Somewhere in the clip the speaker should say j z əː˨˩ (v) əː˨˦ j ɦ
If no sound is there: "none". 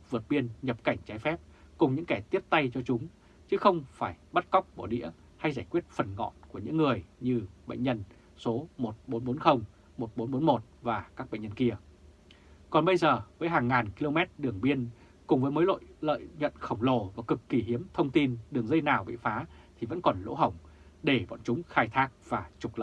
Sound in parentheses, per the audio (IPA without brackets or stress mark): v